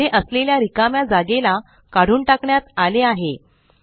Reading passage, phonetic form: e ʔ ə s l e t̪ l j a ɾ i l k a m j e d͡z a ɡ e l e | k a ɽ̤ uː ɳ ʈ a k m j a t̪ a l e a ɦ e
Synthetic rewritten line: e ʔ ə s l e l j a ɾ i k a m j a d͡z a ɡ e l a | k a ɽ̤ uː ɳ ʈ a k ɳ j a t̪ a l e a ɦ e

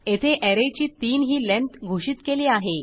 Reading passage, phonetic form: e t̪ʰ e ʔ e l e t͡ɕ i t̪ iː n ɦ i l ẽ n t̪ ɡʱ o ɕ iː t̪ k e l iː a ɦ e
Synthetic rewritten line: e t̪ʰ e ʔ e ɾ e t͡ɕ iː t̪ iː n ɦ iː l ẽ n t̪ ɡʱ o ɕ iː t̪ k e l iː a ɦ e

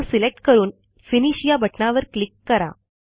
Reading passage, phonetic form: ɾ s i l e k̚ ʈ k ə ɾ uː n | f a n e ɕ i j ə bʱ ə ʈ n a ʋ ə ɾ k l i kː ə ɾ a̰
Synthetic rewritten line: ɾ s i l e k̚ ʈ k ə ɾ uː n | f i n i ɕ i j a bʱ ə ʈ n a ʋ ə ɾ k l i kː ə ɾ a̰

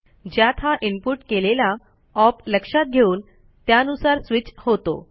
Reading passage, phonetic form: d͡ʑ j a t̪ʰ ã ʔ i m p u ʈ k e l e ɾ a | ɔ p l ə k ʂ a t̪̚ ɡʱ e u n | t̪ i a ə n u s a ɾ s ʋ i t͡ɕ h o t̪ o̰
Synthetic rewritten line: d͡ʑ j a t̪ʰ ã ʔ i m p u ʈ k e l e l a | ɔ p l ə k ʂ a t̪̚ ɡʱ e uː n | t̪ j a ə n u s a ɾ s ʋ i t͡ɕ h o t̪ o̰

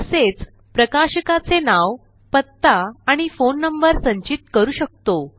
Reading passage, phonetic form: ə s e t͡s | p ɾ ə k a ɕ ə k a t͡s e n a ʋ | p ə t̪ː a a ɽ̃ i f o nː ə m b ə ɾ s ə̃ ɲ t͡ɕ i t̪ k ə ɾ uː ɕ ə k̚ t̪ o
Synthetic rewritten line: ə s e t͡s | p ɾ ə k a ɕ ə k a t͡s e n a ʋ | p ə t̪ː a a ɽ̃ i f o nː ə m b ə ɾ s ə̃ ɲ t͡ɕ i t̪ k ə ɾ uː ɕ ə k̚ t̪ o

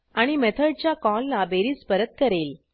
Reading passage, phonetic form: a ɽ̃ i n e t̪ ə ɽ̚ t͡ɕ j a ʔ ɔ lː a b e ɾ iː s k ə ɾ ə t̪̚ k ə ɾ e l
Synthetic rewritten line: a ɽ̃ i m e t̪ʰ ə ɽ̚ t͡ɕ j a k ɔ lː a b e ɾ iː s p ə ɾ ə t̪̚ k ə ɾ e l

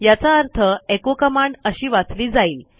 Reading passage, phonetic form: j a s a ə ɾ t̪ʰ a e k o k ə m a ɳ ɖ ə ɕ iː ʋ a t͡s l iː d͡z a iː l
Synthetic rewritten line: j a t͡s a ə ɾ t̪ʰ ə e k o k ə m a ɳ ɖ ə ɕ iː ʋ a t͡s l iː d͡z a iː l

